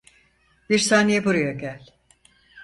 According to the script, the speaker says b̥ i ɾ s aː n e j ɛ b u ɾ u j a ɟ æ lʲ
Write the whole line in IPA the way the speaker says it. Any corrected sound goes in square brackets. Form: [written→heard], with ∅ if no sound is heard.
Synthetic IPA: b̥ i ɾ s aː n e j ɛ b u ɾ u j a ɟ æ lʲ